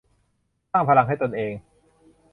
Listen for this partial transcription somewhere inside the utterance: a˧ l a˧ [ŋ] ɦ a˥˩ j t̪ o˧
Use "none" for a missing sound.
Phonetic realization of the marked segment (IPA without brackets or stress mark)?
ŋ